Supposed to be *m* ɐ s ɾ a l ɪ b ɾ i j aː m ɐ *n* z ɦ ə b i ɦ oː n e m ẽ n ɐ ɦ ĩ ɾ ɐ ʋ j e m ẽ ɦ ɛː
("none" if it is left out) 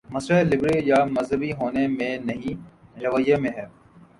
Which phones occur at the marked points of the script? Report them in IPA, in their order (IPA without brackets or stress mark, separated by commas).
m, none